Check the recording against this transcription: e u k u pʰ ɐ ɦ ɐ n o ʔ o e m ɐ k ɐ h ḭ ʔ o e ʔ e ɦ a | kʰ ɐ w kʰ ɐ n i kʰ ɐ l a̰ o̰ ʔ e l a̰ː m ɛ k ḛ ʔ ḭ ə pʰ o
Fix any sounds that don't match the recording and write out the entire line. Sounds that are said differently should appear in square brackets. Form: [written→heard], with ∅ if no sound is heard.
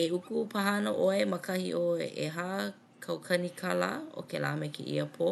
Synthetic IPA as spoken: e u k u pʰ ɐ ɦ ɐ n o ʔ o e m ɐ k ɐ h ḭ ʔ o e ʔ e ɦ a | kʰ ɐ w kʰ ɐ n i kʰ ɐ l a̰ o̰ [ʔ→k] e l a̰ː m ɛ k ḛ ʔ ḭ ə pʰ o